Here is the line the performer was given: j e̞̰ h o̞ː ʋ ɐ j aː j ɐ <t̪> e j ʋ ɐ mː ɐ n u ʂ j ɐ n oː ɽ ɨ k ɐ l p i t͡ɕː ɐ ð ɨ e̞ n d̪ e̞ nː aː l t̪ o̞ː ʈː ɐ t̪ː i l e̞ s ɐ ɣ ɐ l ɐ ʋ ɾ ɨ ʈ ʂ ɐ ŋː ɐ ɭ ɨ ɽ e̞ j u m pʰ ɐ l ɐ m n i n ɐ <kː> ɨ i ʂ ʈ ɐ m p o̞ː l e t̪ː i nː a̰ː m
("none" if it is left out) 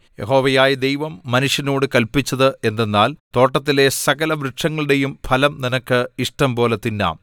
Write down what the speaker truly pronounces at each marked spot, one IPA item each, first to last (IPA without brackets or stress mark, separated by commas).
d̪, kː